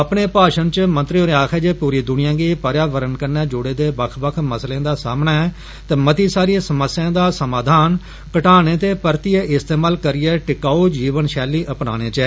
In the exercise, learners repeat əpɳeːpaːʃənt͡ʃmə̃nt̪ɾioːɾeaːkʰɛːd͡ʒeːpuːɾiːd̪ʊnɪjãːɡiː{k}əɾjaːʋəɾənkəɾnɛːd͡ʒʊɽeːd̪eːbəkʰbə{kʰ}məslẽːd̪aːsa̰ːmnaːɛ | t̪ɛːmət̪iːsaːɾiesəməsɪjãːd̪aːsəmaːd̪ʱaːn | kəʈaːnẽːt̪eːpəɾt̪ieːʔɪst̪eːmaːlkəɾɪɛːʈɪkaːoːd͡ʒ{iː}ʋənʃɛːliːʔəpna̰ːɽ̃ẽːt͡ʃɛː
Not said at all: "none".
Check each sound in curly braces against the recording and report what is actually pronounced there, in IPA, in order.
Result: p, kʰ, iː

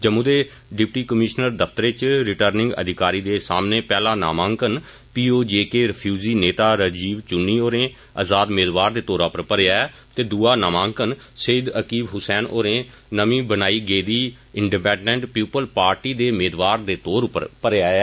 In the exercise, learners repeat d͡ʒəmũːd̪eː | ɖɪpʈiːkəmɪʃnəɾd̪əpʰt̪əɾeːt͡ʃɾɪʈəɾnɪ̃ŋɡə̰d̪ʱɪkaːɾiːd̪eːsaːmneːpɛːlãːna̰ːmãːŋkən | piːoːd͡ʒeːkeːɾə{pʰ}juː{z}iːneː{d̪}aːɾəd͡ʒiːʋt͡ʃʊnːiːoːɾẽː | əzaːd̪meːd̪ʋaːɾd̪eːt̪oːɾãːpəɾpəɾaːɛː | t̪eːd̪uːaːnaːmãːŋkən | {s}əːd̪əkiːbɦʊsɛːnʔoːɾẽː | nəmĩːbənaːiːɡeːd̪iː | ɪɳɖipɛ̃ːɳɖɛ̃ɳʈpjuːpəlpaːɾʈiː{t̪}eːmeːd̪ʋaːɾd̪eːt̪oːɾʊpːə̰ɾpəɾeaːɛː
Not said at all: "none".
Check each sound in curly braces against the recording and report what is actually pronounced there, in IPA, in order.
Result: pʰ, z, t̪, s, d̪

